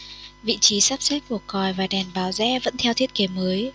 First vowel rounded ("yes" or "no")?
no